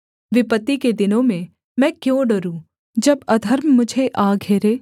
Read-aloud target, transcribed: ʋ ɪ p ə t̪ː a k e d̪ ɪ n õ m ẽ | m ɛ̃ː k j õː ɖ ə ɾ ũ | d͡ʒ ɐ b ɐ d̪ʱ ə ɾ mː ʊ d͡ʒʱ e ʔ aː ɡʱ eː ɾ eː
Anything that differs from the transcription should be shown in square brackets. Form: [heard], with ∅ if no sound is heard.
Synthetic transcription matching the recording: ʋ ɪ p ə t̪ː [i] k e d̪ ɪ n õ m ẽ | m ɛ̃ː k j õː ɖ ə ɾ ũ | d͡ʒ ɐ b ɐ d̪ʱ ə ɾ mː ʊ d͡ʒʱ e ʔ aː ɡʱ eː ɾ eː